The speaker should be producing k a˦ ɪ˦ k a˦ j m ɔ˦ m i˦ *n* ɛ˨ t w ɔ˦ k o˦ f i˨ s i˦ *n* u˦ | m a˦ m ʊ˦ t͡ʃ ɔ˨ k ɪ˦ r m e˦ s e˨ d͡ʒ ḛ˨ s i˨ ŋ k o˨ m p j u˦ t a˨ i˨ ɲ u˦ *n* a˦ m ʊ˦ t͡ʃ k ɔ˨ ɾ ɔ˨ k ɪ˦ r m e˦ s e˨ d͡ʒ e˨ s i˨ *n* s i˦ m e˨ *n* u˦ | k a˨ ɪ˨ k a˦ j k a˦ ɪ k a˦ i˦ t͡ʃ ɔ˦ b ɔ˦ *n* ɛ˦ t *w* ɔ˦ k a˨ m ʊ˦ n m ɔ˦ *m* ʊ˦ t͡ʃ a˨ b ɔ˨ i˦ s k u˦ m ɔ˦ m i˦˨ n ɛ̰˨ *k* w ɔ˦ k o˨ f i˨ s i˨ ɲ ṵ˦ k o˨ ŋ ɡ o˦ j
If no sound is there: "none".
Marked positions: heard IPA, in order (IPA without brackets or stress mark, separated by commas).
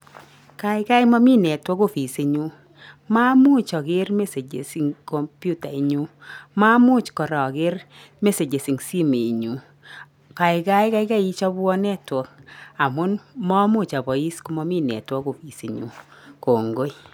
n, ɲ, m, ŋ, ɲ, n, w, m, t